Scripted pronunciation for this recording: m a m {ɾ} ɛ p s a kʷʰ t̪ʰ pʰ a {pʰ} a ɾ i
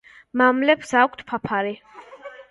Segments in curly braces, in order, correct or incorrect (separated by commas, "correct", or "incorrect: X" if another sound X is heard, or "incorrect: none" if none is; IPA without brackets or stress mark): incorrect: l, correct